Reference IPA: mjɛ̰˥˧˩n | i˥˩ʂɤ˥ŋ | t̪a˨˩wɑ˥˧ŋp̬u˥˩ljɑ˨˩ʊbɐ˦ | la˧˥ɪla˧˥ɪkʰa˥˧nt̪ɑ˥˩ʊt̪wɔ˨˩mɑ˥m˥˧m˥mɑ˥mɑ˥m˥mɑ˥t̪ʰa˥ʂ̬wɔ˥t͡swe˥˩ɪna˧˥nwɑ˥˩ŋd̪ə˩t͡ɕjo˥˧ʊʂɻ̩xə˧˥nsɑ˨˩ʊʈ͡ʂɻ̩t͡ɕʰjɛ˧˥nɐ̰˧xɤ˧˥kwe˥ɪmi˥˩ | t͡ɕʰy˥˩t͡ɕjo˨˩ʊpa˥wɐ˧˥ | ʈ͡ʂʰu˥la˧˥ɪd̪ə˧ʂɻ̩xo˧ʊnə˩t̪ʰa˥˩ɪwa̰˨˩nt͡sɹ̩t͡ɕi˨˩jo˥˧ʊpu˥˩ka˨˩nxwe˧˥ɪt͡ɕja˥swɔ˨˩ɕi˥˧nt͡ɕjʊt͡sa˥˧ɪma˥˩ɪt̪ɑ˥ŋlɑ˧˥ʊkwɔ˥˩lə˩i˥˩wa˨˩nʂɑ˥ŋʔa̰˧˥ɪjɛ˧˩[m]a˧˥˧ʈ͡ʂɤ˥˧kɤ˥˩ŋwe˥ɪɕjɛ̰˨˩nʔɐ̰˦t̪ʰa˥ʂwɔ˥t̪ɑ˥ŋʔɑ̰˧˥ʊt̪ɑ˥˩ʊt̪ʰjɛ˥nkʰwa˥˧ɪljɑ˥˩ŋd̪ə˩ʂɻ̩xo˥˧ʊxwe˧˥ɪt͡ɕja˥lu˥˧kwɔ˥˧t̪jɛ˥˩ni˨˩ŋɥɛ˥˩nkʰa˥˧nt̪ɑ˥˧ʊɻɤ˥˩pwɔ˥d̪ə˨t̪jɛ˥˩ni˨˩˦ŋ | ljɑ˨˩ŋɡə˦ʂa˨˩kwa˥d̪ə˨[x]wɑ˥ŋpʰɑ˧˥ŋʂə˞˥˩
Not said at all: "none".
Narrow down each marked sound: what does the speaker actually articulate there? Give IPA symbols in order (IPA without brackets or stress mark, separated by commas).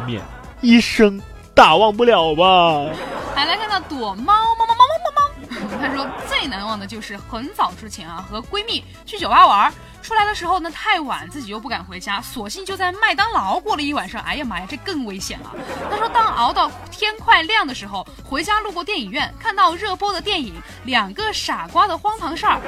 m, x